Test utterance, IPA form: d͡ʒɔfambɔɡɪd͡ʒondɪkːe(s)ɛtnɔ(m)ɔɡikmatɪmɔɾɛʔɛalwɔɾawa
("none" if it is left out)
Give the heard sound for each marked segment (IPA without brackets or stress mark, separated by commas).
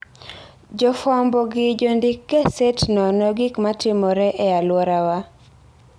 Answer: s, n